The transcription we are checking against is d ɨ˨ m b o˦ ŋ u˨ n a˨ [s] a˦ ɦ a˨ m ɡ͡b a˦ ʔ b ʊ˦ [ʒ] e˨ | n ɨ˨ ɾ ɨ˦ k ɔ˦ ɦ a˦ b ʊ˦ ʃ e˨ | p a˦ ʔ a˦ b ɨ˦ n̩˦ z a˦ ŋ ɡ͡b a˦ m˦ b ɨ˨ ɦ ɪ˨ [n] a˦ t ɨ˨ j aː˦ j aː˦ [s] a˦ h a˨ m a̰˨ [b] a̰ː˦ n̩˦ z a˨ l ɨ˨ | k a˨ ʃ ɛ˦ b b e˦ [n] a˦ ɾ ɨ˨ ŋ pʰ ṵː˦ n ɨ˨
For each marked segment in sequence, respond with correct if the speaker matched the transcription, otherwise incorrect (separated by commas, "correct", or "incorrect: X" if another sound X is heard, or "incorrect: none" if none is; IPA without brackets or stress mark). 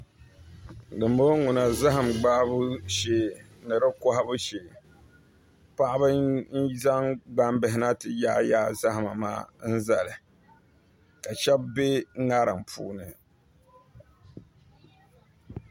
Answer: incorrect: z, incorrect: ʃ, correct, incorrect: z, incorrect: m, incorrect: ŋ